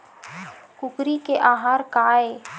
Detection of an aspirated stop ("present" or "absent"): absent